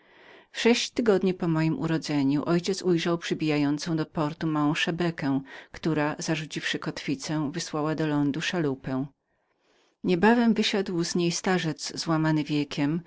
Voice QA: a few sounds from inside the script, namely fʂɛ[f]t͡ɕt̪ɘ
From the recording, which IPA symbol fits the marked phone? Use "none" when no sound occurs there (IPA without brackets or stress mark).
ɕ